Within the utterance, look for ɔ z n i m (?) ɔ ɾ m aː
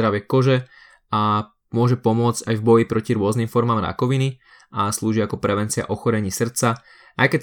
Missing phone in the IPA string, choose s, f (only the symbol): f